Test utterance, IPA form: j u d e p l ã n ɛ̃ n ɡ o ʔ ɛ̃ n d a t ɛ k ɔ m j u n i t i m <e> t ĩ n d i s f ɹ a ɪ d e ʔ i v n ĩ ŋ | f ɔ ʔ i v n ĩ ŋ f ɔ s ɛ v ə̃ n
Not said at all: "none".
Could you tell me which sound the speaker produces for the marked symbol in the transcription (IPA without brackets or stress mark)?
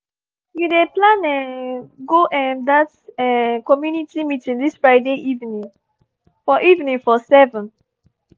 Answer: i